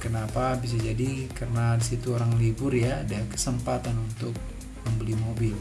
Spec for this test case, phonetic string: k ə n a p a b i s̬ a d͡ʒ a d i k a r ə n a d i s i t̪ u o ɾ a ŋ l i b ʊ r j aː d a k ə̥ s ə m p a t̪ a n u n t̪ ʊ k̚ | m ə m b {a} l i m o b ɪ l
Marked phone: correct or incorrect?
incorrect